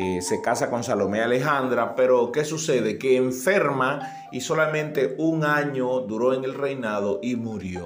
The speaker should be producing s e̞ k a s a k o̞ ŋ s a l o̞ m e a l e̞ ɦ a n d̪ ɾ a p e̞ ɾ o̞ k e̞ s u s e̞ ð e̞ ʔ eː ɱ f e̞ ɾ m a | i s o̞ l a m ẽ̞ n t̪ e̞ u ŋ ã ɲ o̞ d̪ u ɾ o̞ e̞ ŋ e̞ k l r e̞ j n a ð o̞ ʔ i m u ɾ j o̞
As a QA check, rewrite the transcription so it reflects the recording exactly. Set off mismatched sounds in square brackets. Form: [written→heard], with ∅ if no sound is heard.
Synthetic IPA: s e̞ k a s a k o̞ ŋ s a l o̞ m e a l e̞ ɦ a n d̪ ɾ a p e̞ ɾ o̞ k e̞ s u s e̞ ð e̞ [ʔ→k] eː ɱ f e̞ ɾ m a | i s o̞ l a m ẽ̞ n t̪ e̞ u ŋ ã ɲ o̞ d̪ u ɾ o̞ e̞ ŋ e̞ [k→∅] l r e̞ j n a ð o̞ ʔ i m u ɾ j o̞